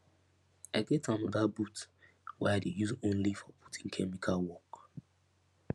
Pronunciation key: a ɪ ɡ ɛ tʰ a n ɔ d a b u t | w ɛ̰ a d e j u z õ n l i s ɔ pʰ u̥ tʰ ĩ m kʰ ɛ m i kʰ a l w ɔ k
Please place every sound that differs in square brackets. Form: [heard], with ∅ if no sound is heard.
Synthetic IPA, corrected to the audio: a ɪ ɡ ɛ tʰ a n ɔ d a b u t | w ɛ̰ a d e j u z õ n l i [f] ɔ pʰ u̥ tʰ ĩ [ŋ] kʰ ɛ m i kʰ a l w ɔ k